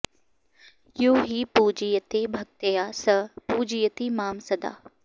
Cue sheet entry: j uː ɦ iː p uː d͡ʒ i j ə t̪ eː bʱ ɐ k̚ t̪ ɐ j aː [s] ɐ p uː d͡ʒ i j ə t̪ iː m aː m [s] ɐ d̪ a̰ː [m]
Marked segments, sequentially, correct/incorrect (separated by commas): correct, correct, incorrect